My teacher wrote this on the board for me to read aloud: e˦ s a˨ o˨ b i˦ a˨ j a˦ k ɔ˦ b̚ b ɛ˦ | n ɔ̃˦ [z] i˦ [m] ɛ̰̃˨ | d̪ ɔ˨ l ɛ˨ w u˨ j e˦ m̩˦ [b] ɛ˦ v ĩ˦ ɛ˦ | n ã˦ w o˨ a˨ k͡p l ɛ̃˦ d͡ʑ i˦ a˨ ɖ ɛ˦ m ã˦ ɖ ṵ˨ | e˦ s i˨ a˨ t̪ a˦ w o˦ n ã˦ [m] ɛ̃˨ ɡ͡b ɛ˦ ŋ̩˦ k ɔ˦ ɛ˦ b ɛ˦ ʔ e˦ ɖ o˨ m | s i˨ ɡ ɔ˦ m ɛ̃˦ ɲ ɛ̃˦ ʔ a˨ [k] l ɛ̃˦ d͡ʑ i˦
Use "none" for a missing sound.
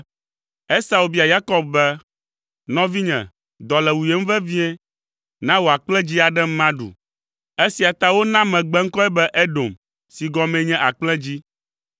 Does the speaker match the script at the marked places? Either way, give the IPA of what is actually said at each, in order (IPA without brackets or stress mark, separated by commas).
v, ɲ, v, m, k͡p